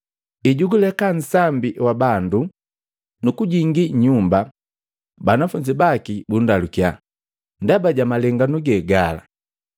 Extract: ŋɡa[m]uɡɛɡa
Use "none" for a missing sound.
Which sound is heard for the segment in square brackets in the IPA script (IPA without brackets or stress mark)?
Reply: n